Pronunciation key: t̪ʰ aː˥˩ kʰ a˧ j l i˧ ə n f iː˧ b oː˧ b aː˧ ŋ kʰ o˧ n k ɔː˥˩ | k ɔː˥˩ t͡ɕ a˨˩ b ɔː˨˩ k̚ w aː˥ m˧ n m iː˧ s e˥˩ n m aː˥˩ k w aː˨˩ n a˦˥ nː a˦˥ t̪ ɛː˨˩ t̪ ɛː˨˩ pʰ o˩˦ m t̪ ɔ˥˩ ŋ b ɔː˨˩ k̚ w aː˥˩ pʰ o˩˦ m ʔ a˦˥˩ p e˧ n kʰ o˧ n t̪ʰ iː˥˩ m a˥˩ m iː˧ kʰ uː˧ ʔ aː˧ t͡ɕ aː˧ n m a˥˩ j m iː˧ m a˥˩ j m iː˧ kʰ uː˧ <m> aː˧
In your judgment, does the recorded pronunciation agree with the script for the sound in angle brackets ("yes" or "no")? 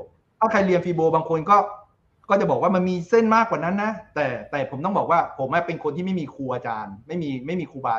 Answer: no